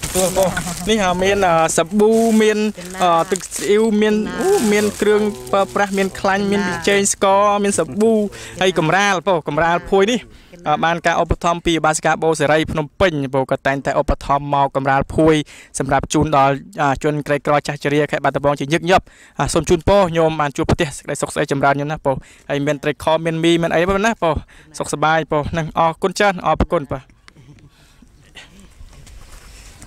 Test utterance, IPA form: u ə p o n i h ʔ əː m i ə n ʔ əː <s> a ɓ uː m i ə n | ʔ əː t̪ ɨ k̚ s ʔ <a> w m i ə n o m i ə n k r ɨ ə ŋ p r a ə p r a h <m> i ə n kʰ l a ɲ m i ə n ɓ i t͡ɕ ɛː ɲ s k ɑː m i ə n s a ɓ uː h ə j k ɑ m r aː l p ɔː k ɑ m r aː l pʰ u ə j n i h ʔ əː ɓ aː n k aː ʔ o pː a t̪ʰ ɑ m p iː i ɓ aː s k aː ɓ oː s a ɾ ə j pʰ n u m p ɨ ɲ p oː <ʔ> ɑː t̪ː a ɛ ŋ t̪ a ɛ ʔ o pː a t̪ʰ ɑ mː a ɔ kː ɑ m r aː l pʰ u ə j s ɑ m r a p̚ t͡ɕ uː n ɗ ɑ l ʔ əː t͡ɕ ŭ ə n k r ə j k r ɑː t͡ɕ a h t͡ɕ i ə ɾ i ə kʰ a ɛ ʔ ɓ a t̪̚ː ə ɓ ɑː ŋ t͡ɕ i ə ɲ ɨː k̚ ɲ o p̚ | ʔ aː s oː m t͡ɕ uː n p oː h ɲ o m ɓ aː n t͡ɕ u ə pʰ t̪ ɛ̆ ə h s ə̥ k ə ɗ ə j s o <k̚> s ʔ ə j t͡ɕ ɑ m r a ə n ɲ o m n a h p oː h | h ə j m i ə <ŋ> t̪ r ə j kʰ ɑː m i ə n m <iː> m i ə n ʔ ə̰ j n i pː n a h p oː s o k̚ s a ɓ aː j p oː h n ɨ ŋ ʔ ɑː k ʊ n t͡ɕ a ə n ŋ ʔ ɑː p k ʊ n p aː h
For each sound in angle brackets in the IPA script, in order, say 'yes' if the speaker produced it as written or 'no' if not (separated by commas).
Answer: yes, no, yes, no, yes, no, yes